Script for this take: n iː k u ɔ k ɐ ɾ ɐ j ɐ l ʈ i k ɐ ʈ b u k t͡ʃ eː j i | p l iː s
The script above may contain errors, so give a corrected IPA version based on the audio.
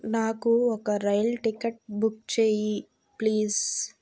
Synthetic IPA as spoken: n aː k u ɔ k ɐ ɾ ɐ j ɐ l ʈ i k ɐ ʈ b u k t͡ʃ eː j i | p l iː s